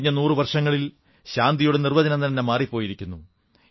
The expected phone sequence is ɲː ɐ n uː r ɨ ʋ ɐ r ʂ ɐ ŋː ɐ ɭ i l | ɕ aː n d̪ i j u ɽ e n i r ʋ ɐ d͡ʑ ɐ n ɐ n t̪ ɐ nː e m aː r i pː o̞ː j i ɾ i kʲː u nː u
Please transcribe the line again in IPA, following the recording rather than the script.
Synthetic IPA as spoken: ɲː ɐ n uː r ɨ ʋ ɐ r ʂ ɐ ŋː ɐ ɭ i l | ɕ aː n d̪ i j u ɽ e n i r ʋ ɐ d͡ʑ ɐ n ɐ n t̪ ɐ nː e m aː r i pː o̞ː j i ɾ i kʲː u nː u